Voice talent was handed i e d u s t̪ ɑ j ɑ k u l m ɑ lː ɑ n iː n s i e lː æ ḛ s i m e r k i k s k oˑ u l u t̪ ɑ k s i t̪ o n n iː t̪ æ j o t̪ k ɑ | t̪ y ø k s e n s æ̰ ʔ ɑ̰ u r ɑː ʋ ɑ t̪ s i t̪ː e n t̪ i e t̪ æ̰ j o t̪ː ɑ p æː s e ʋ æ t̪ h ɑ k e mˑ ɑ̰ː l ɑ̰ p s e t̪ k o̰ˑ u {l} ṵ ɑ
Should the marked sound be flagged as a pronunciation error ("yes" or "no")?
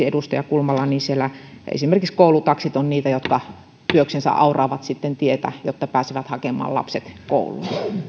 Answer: no